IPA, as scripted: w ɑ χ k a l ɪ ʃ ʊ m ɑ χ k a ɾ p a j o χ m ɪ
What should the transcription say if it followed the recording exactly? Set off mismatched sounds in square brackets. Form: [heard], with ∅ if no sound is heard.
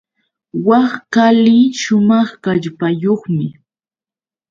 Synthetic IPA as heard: w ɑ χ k a l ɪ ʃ ʊ m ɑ χ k a [ʎ] p a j o χ m ɪ

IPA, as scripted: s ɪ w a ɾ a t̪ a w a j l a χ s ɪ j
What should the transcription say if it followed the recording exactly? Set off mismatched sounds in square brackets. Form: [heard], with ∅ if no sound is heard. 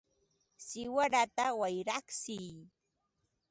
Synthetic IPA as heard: s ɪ w a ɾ a t̪ a w a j [ɾ] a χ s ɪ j

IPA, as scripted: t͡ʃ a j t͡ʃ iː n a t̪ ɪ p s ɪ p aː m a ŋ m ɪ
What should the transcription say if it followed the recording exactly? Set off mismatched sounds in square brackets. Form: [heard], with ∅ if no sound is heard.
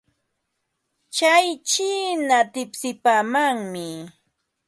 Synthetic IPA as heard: t͡ʃ a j t͡ʃ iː n a t̪ ɪ p s ɪ p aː m a ŋ m ɪ

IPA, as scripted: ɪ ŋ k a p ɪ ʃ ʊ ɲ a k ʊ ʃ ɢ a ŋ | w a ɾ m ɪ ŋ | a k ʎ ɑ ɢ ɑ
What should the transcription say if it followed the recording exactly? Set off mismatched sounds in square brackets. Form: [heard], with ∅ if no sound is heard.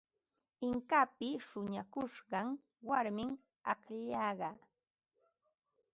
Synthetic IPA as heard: ɪ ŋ k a p ɪ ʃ ʊ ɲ a k ʊ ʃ ɢ [ɑ] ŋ | w a ɾ m ɪ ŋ | a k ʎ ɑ ɢ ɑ

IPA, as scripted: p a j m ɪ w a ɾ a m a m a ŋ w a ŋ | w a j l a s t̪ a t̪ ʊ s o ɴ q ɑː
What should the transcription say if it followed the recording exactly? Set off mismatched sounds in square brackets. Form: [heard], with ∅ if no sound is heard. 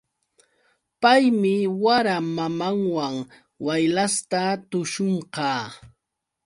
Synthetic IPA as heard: p a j m ɪ w a ɾ a m a m a ŋ w a ŋ | w a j l a s t̪ a t̪ ʊ [ʃ] o ɴ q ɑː

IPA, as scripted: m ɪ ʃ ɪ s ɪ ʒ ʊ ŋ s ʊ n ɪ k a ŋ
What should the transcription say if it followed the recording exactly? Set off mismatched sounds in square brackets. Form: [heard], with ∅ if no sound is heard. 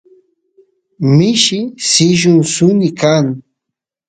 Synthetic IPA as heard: m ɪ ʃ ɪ s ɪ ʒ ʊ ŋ s ʊ n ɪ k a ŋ

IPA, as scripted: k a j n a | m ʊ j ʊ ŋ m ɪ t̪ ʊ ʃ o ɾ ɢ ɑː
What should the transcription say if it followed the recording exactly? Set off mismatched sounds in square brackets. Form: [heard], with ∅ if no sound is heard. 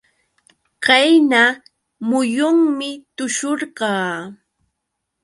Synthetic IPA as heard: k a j n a | m ʊ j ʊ ŋ m ɪ t̪ ʊ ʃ o ɾ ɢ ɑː

